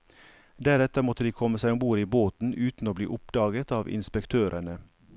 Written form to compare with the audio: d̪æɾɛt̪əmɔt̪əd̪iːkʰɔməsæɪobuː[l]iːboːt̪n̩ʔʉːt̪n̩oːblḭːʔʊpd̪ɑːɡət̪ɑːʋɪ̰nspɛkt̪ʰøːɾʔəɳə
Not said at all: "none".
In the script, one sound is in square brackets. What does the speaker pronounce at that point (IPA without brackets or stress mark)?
ɾ